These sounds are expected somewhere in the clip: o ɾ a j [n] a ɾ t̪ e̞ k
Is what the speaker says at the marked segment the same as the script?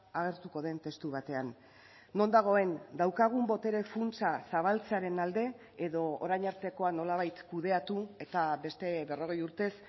no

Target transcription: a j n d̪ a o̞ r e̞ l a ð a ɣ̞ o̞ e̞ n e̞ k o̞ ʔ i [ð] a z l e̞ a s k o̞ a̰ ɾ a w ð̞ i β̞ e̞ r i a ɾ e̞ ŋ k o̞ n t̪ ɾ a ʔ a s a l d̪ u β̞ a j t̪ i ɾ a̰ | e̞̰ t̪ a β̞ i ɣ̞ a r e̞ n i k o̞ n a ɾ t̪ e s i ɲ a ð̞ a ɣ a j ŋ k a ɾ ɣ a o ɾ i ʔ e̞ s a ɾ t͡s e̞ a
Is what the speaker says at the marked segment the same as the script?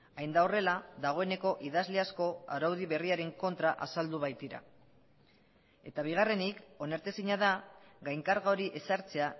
yes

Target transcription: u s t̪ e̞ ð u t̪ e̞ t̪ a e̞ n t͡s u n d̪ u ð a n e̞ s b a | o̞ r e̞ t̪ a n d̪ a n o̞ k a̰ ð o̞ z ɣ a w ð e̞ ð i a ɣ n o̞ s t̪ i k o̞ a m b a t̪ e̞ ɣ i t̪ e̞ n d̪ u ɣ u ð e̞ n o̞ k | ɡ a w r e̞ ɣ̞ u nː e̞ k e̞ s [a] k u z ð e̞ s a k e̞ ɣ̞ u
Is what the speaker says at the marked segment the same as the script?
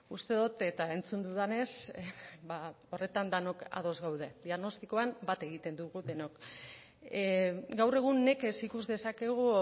no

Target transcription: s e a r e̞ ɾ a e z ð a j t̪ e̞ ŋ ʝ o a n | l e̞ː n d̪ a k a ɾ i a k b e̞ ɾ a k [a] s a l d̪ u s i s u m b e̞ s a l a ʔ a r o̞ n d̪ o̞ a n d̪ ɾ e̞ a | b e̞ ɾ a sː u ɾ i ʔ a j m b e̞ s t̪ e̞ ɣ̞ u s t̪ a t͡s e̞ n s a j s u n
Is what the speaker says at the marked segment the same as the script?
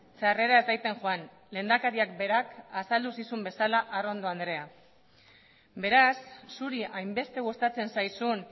yes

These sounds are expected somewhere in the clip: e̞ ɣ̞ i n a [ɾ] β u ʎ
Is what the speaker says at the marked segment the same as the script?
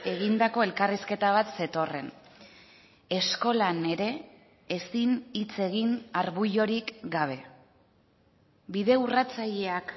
yes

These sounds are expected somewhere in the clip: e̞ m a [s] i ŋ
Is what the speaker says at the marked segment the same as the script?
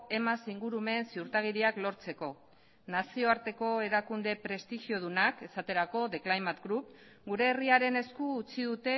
yes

